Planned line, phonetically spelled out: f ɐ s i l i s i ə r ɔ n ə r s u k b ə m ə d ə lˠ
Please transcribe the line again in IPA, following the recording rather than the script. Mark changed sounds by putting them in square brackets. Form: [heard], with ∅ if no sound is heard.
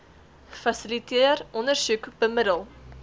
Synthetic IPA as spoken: f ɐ s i l i [t] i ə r ɔ n ə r s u k b ə m ə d ə lˠ